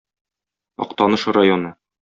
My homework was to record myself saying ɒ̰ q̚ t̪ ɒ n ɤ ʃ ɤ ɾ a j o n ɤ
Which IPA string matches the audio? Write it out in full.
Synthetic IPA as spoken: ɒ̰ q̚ t̪ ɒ n ɤ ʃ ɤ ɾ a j o n ɤ